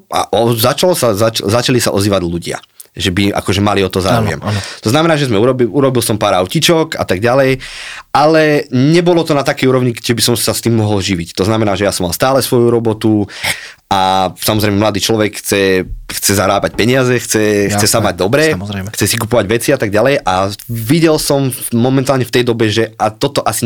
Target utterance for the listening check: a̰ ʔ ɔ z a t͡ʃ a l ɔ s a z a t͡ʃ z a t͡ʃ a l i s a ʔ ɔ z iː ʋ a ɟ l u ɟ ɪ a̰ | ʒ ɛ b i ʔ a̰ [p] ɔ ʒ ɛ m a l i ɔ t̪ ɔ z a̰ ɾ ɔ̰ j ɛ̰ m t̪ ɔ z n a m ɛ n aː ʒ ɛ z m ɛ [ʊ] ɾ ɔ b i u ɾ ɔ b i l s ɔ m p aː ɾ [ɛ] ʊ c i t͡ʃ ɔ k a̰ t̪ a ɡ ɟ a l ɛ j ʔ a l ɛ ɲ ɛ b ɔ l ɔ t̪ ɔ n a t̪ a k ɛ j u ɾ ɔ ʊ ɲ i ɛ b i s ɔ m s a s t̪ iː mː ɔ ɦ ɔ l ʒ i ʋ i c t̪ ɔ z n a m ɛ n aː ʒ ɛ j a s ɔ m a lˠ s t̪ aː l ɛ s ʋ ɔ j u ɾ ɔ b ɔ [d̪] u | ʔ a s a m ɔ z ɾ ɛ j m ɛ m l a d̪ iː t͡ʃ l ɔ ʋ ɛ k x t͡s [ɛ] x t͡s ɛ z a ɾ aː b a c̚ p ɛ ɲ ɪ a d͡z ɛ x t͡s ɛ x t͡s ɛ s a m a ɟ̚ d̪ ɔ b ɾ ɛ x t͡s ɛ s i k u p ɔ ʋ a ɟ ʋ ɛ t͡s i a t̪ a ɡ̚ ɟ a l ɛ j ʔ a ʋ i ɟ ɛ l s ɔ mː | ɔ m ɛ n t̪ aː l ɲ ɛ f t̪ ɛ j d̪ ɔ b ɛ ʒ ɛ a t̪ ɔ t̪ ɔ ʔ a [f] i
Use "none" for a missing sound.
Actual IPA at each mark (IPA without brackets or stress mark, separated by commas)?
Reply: k, u, a, t̪, ɛ, s